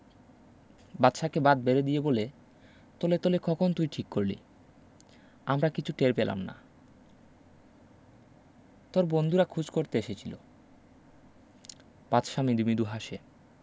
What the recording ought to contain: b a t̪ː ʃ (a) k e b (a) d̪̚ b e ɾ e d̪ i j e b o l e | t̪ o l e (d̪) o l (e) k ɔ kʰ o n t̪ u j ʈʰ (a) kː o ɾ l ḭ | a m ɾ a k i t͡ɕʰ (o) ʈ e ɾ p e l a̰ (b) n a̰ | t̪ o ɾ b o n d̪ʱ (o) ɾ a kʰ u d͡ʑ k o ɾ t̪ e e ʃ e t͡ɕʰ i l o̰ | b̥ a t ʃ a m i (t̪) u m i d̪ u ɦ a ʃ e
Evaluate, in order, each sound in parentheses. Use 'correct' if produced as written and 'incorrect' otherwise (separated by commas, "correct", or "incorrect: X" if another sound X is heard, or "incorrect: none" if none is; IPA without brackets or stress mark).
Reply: correct, correct, incorrect: t̪, correct, incorrect: i, incorrect: u, incorrect: m, incorrect: u, incorrect: d̪